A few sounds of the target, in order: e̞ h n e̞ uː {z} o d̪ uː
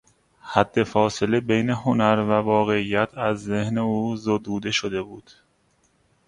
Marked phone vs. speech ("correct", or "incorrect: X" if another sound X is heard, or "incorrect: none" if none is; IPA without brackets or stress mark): correct